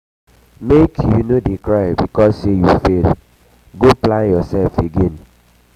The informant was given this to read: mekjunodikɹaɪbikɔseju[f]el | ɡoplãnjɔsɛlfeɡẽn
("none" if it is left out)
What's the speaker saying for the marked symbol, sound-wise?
f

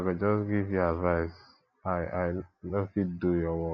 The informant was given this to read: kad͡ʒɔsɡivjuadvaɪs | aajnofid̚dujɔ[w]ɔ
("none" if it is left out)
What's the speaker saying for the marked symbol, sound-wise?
w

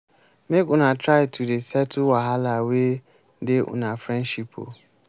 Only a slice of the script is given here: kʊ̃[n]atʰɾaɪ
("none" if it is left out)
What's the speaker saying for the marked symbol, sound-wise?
n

